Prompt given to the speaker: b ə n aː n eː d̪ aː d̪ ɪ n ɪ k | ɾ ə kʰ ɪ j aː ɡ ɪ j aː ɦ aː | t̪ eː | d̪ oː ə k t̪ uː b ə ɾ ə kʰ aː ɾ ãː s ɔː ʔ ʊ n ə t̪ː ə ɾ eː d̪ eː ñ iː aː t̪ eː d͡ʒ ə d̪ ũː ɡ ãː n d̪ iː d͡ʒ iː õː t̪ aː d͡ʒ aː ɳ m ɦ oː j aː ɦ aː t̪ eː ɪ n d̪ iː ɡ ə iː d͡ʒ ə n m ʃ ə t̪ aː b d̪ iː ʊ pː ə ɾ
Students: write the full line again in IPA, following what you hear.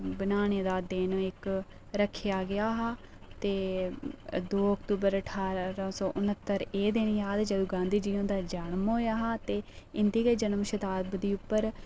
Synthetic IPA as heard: b ə n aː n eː d̪ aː d̪ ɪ n ɪ k | ɾ ə kʰ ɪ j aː ɡ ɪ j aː ɦ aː | t̪ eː | d̪ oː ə k t̪ uː b ə ɾ ə ʈʰ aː ɾ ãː s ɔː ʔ ʊ n ə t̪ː ə ɾ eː d̪ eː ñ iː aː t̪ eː d͡ʒ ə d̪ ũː ɡ ãː n d̪ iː d͡ʒ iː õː d̪ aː d͡ʒ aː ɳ m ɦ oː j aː ɦ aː t̪ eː ɪ n d̪ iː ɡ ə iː d͡ʒ ə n m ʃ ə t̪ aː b d̪ iː ʊ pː ə ɾ